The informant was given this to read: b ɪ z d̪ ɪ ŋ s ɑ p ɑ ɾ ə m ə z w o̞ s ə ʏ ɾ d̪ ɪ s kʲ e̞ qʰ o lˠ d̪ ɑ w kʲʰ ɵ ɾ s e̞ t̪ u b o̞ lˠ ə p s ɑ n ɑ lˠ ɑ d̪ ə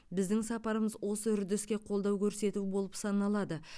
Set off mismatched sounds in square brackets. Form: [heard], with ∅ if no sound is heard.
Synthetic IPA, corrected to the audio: b ɪ z d̪ ɪ ŋ s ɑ p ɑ ɾ ə m ə z w o̞ s ə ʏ ɾ d̪ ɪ s kʲ e̞ qʰ o lˠ d̪ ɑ w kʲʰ ɵ ɾ s e̞ t̪ u b o̞ lˠ ə p s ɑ n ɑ lˠ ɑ d̪ ə